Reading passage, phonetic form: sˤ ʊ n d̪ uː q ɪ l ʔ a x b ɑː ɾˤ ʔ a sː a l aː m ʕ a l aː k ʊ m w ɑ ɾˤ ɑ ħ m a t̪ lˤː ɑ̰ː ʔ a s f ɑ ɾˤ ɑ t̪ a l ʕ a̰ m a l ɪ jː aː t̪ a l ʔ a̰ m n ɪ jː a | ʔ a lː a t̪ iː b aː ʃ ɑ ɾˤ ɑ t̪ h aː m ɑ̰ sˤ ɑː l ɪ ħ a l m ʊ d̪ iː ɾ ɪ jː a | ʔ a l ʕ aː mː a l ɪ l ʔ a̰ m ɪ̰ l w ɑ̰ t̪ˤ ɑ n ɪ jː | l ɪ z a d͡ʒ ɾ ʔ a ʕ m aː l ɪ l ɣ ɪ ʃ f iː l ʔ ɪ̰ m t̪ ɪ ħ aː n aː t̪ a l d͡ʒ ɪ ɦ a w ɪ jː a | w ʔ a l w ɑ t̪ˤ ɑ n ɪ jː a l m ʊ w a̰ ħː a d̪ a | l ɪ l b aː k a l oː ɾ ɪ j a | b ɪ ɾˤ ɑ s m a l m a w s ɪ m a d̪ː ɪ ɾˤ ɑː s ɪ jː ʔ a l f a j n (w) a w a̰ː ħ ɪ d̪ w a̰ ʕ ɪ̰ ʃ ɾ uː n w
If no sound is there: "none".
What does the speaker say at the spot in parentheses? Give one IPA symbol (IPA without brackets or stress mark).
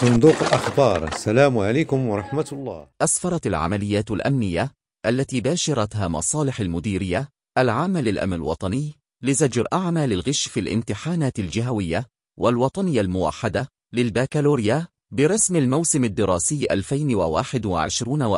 w